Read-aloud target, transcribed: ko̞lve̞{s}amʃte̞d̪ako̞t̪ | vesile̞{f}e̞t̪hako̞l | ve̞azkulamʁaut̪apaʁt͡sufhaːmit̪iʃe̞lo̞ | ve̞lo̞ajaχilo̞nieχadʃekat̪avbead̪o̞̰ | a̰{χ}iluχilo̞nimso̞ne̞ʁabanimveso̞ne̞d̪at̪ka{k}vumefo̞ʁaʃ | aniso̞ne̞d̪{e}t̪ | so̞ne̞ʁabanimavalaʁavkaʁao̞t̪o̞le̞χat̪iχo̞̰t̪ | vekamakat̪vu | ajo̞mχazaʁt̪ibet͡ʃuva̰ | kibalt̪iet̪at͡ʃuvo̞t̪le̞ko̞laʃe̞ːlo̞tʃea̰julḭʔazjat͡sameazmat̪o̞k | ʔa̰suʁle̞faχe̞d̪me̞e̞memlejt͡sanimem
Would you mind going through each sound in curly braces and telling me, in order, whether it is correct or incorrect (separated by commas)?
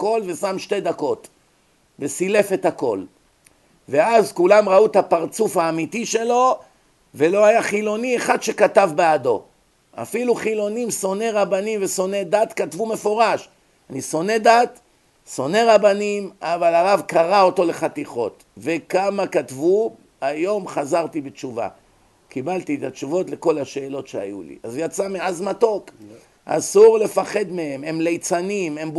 correct, correct, incorrect, incorrect, incorrect